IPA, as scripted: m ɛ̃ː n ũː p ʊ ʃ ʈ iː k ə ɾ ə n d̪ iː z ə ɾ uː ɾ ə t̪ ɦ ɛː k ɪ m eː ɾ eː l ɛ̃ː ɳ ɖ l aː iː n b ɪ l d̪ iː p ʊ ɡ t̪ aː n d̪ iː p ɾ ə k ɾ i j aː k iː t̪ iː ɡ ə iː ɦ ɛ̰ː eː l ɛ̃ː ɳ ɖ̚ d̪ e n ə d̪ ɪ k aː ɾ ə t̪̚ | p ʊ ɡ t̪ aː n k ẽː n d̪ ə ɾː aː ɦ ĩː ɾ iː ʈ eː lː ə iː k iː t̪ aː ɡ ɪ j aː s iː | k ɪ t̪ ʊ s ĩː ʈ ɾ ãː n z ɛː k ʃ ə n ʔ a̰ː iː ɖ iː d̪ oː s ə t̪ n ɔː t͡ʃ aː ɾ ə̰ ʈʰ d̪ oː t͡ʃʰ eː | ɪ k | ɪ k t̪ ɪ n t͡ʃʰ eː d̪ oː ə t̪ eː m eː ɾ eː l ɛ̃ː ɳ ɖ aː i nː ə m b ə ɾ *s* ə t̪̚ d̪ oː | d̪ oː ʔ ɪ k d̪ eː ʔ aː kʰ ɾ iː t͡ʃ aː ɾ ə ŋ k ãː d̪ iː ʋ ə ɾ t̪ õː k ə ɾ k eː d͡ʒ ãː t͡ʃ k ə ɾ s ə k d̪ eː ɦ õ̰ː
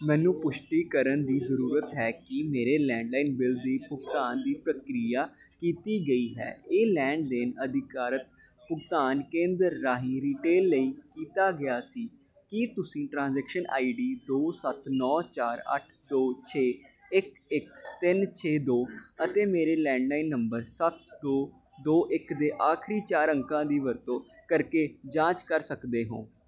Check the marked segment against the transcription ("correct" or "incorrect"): correct